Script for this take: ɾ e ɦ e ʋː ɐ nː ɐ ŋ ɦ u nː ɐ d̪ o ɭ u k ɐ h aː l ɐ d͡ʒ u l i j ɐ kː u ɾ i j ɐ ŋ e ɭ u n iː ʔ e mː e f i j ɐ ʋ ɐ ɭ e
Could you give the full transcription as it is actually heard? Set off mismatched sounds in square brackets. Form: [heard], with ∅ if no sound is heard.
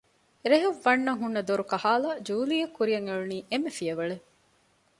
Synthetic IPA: ɾ e ɦ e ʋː ɐ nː ɐ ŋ ɦ u nː ɐ d̪ o [ɾ] u k ɐ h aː l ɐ d͡ʒ [uː] l i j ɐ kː u ɾ i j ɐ ŋ e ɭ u n iː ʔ e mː e f i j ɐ ʋ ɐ ɭ e